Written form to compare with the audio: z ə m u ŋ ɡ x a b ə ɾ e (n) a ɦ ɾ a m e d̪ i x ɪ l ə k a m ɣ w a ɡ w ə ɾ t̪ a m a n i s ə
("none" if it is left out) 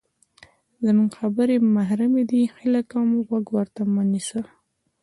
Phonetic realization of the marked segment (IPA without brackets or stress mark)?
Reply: m